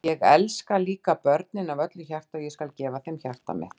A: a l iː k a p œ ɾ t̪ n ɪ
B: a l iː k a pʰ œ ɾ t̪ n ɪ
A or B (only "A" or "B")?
A